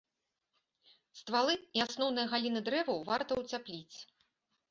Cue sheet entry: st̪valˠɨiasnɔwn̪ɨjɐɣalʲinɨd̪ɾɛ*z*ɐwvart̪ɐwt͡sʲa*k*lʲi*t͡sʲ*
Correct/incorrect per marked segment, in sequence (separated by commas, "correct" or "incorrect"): incorrect, incorrect, correct